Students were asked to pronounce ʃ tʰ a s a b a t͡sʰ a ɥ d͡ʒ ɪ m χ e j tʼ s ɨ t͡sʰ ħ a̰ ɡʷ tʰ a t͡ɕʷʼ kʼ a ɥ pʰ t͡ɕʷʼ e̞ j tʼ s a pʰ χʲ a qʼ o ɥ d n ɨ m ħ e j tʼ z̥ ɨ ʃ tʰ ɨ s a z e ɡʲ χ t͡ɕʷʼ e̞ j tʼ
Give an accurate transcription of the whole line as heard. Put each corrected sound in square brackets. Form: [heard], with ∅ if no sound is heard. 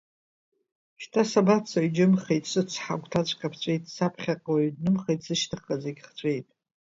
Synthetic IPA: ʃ tʰ a s a b a t͡sʰ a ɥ d͡ʒ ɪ m χ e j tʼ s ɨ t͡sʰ ħ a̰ ɡʷ tʰ a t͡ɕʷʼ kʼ a [∅] pʰ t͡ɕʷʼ e̞ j tʼ s a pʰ χʲ a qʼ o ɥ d n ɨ m [χ] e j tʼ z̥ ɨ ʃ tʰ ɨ [χ] a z e ɡʲ χ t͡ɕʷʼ e̞ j tʼ